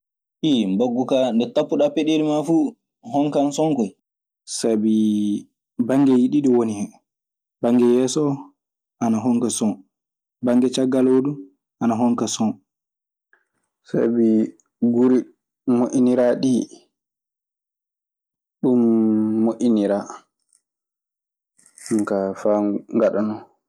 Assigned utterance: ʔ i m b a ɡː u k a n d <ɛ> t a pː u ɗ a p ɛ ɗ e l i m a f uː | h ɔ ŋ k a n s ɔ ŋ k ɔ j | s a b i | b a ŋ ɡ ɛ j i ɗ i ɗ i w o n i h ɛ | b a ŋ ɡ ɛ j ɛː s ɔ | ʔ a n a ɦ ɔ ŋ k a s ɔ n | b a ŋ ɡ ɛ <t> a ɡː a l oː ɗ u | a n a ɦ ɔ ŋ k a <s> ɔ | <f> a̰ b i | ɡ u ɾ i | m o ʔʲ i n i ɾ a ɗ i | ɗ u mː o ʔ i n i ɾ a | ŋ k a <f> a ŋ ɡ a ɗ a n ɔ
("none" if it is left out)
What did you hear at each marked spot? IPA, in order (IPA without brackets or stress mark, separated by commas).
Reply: ɛ, t͡ʃ, s, s, f